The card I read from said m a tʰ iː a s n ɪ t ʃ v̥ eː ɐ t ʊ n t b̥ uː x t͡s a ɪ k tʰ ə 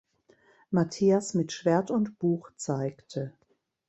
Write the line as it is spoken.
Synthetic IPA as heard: m a tʰ iː a s m ɪ t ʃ v̥ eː ɐ t ʊ n t b̥ uː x t͡s a ɪ k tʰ ə